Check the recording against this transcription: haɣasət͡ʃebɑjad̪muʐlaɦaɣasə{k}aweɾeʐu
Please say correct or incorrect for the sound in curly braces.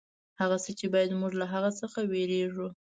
incorrect: x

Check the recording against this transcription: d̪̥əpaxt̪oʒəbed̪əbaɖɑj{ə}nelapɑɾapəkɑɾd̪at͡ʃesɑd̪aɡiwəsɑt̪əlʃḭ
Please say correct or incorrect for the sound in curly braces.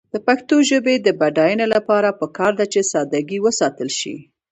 correct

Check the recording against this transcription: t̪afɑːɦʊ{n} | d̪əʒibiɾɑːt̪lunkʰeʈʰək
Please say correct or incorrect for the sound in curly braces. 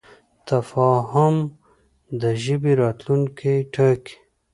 incorrect: m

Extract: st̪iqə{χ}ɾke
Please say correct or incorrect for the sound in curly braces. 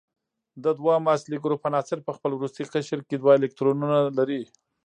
incorrect: ʃ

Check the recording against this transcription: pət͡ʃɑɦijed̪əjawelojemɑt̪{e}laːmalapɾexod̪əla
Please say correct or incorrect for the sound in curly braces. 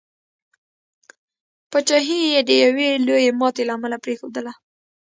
correct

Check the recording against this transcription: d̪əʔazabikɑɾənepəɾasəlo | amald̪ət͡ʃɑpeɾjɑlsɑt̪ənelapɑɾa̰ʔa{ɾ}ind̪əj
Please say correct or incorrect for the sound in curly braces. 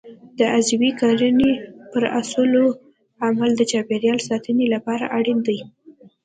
incorrect: ɽ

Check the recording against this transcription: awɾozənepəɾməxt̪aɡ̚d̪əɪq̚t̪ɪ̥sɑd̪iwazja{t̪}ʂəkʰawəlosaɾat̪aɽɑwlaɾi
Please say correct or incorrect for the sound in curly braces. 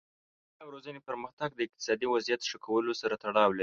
correct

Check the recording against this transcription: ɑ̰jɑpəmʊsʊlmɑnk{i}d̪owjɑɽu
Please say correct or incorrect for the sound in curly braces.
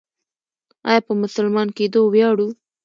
incorrect: e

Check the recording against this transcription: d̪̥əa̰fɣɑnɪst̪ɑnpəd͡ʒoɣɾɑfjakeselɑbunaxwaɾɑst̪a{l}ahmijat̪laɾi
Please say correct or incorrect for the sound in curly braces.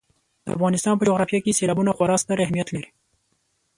incorrect: ɾ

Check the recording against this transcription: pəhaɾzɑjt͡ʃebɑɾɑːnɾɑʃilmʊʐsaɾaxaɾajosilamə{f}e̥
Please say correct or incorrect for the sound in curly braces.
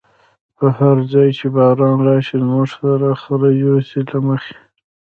incorrect: x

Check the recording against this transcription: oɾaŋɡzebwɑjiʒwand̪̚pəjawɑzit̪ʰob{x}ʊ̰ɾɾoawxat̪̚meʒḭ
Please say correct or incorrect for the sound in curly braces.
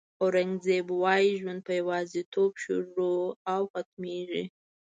incorrect: ʃ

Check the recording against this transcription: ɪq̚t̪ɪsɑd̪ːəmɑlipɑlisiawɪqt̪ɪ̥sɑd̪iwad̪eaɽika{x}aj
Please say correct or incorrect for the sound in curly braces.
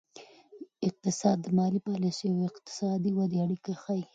correct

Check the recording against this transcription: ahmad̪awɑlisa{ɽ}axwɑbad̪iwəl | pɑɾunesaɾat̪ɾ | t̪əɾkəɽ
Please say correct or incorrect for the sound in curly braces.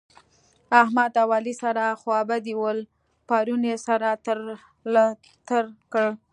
incorrect: ɾ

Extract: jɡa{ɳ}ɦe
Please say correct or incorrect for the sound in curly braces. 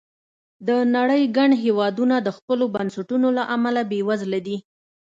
correct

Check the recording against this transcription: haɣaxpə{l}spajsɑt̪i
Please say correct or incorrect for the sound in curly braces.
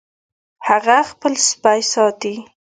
correct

